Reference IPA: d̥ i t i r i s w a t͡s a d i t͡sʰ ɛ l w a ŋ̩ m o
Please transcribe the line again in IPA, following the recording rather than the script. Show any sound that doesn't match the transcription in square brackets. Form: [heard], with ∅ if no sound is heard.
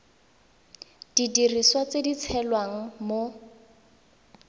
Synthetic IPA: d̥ i [d] i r i s w a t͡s [e] d i t͡sʰ ɛ l w a ŋ̩ m o